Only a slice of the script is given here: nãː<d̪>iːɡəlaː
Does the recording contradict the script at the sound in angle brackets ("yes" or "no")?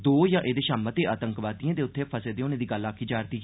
no